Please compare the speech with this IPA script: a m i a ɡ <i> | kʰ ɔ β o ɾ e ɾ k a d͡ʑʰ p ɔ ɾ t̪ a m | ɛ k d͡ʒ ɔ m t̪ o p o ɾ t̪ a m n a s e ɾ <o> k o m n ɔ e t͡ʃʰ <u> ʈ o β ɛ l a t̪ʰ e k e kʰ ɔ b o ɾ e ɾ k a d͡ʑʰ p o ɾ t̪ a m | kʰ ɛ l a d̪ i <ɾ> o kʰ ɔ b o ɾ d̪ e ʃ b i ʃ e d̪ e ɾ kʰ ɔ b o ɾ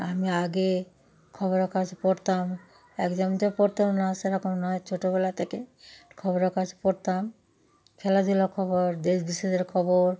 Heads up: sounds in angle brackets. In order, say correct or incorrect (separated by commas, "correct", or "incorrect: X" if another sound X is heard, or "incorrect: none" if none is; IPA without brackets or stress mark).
incorrect: e, incorrect: ɔ, incorrect: o, incorrect: l